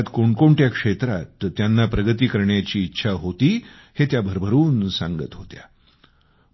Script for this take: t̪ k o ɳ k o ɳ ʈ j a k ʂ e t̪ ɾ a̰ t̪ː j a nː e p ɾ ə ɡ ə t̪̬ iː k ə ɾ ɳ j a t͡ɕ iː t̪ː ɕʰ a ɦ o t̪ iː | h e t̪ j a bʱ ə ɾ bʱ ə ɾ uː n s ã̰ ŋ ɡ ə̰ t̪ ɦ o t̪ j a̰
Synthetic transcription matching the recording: t̪ k o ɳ k o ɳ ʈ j a k ʂ e t̪ ɾ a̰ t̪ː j a nː a p ɾ ə ɡ ə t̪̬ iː k ə ɾ ɳ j a t͡ɕ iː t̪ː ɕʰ a ɦ o t̪ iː | h e t̪ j a bʱ ə ɾ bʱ ə ɾ uː n s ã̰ ŋ ɡ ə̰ t̪ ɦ o t̪ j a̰